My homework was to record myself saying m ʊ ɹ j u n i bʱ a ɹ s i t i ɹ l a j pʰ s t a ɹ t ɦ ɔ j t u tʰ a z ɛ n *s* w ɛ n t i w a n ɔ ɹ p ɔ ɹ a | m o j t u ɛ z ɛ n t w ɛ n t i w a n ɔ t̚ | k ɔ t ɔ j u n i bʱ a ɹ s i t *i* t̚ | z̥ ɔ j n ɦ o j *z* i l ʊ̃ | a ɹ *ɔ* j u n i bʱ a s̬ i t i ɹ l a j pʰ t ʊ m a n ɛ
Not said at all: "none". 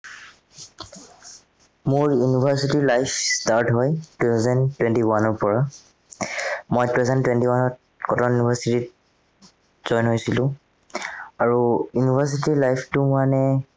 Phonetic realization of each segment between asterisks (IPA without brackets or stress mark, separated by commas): t, i, s, u